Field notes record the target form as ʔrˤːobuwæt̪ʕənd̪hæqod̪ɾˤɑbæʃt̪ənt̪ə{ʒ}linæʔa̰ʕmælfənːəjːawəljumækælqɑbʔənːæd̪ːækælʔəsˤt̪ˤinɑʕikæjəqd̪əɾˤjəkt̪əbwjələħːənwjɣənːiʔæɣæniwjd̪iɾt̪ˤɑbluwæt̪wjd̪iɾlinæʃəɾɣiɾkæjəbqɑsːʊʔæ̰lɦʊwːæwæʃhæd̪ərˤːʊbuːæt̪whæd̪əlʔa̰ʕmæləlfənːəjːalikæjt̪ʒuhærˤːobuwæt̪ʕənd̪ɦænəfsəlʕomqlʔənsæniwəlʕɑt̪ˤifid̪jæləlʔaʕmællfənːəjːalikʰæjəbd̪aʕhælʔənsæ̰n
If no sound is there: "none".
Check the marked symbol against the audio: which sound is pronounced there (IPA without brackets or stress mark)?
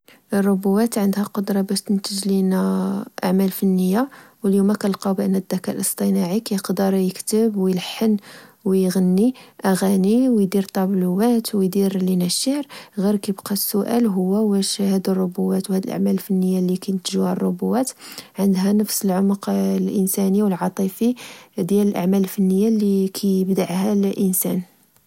ʒ